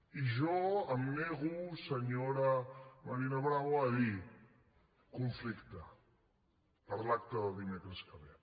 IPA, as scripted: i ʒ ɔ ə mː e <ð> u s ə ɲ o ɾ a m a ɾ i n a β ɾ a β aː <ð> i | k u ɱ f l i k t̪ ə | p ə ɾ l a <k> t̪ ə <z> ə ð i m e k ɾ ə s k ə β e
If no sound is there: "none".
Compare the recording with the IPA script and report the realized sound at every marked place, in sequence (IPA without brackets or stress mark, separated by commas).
ɣ, ð, k, ð